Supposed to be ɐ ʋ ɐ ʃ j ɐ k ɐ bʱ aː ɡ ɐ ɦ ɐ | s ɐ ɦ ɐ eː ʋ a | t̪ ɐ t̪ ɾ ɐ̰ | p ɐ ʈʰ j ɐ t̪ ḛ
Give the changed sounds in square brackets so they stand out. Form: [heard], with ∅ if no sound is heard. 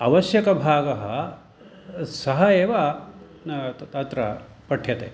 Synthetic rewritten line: ɐ ʋ ɐ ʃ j ɐ k ɐ bʱ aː ɡ ɐ ɦ ɐ | s ɐ ɦ ɐ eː ʋ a | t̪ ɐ t̪ ɾ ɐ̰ | p ɐ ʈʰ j ɐ t̪ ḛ